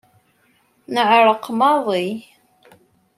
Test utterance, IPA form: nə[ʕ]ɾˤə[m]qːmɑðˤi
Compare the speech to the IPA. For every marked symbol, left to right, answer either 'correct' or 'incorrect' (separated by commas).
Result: correct, incorrect